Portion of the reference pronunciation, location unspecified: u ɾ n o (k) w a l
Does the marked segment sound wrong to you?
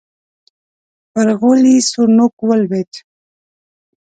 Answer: no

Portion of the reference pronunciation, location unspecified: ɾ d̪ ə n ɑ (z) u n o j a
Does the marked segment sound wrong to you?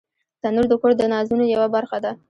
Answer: no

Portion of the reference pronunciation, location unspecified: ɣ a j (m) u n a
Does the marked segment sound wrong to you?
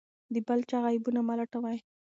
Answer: yes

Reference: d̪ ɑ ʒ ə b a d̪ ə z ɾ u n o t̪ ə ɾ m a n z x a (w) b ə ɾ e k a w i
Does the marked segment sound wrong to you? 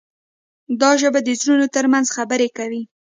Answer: yes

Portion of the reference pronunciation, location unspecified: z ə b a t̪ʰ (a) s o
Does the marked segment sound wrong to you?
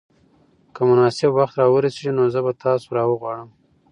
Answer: yes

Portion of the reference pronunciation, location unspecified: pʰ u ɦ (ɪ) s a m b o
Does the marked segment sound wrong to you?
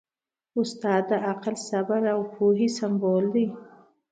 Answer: yes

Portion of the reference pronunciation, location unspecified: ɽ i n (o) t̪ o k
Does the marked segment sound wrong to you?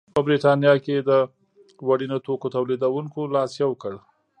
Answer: no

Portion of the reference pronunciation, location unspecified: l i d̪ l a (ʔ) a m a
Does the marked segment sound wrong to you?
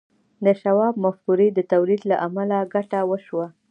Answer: no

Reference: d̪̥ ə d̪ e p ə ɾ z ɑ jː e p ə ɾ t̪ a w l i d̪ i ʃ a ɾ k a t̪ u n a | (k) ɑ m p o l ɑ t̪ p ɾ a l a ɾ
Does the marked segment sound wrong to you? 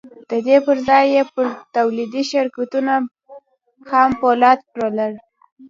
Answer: yes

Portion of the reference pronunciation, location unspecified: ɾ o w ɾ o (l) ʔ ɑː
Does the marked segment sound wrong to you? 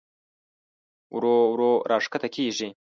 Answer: yes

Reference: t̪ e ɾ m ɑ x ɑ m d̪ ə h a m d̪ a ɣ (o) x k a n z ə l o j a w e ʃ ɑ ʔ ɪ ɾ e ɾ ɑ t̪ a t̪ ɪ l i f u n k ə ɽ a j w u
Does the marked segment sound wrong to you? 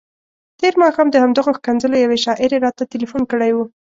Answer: no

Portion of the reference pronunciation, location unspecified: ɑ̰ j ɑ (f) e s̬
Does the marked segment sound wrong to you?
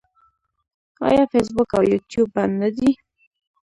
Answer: no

